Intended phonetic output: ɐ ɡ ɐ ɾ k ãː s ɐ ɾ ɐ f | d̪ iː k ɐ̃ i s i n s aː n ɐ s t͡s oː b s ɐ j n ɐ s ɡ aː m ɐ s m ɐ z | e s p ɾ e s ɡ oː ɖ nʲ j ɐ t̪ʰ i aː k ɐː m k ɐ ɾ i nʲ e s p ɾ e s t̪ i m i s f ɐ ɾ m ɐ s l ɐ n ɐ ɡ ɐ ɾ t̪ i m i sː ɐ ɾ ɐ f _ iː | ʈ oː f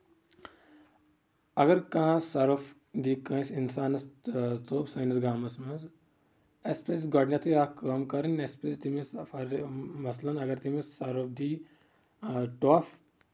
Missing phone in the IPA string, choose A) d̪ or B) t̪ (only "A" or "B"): A